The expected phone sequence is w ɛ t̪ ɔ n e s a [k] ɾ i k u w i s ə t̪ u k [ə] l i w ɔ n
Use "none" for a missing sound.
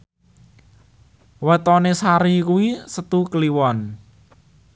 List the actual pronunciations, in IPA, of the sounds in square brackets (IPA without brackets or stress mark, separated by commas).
none, ə